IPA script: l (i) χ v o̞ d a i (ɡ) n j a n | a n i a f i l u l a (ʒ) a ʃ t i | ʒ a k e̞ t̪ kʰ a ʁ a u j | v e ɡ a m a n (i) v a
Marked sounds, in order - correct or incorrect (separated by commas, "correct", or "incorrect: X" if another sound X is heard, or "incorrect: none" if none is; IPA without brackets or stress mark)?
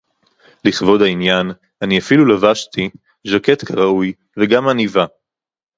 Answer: correct, incorrect: none, incorrect: v, correct